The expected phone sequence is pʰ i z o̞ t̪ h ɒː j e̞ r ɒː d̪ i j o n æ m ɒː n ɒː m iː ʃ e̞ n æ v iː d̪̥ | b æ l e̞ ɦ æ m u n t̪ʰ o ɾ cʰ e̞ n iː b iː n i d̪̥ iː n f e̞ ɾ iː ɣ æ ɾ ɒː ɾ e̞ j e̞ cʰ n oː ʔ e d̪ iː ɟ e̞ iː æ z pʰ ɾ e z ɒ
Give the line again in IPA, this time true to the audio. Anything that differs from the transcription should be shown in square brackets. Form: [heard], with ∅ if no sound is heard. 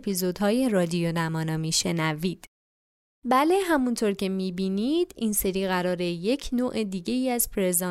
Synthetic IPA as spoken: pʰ i z o̞ [d̪] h ɒː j e̞ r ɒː d̪ i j o n æ m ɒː n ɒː m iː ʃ e̞ n æ v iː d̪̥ | b æ l e̞ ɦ æ m u n t̪ʰ o ɾ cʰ e̞ [m] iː b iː n i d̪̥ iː n [s] e̞ ɾ iː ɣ æ ɾ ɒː ɾ e̞ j e̞ cʰ n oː ʔ e d̪ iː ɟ e̞ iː æ z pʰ ɾ e z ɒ